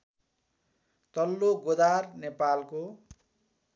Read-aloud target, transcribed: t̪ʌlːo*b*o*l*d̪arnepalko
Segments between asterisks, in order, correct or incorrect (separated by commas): incorrect, incorrect